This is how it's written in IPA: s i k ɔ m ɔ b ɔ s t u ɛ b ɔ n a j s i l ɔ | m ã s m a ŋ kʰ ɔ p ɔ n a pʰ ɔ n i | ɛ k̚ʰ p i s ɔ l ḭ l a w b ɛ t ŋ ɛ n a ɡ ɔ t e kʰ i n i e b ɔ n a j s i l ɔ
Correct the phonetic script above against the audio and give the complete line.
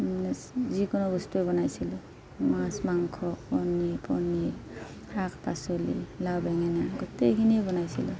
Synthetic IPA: z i k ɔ n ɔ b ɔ s t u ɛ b ɔ n a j s i l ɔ | m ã s m a ŋ kʰ ɔ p ɔ n i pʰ ɔ n i | a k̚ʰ p a s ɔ l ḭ l a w b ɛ ŋ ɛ n a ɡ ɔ t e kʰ i n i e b ɔ n a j s i l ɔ